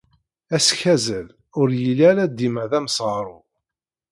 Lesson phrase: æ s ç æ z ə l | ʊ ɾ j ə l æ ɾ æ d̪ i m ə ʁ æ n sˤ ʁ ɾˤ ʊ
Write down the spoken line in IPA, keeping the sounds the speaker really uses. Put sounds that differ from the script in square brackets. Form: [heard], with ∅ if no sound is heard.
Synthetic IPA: æ s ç æ z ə l | ʊ ɾ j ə l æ ɾ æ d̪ i m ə [ð] æ [m] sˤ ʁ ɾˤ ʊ